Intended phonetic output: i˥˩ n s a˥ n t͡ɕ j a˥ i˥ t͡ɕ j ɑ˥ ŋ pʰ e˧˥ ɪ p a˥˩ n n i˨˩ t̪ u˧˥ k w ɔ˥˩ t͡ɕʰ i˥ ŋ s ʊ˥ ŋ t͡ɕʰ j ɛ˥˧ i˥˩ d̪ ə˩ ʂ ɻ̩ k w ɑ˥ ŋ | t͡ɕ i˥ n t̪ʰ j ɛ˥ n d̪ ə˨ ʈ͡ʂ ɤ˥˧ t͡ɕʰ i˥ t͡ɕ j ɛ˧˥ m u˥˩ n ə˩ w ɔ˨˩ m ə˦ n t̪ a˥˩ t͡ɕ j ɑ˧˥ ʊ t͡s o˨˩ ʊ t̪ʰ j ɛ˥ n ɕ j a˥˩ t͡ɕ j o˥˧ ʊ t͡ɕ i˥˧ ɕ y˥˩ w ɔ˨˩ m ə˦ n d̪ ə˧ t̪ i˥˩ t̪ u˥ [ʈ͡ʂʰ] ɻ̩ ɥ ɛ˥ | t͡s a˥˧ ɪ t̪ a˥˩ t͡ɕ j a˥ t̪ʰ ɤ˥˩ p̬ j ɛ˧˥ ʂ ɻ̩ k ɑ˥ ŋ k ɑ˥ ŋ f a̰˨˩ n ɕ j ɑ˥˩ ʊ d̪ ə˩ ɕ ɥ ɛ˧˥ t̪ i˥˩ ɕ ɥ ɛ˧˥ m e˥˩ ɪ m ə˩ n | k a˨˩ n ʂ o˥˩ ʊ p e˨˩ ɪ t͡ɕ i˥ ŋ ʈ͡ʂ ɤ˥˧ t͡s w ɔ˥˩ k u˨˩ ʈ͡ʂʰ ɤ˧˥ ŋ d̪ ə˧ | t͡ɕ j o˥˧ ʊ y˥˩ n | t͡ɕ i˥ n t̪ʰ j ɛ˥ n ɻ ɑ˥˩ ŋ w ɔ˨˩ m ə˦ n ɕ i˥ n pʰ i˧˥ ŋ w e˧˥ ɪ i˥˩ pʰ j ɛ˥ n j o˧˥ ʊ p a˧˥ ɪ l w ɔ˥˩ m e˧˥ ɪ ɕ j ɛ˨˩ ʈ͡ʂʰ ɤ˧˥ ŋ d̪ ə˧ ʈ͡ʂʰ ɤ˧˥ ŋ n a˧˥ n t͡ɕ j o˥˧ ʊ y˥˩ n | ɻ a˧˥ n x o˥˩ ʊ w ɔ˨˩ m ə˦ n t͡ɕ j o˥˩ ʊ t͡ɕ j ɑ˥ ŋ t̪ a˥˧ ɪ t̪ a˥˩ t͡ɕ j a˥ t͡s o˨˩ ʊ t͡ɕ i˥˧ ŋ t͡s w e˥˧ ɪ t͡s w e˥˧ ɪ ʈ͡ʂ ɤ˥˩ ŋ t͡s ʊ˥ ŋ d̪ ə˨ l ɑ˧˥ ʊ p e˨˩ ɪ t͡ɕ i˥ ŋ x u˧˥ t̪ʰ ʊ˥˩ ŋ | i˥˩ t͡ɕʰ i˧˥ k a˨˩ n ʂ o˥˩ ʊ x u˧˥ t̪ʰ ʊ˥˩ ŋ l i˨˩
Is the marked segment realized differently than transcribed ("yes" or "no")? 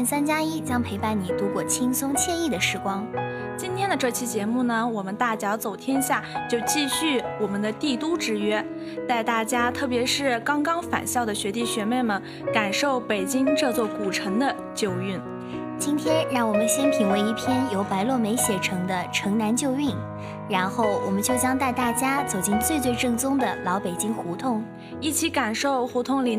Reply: yes